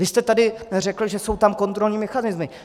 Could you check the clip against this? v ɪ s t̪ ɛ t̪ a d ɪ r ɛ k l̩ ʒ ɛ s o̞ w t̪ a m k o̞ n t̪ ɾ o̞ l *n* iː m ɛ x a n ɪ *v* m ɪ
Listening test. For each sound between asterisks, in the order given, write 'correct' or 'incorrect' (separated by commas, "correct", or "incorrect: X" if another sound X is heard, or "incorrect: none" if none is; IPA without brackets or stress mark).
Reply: incorrect: ɲ, incorrect: z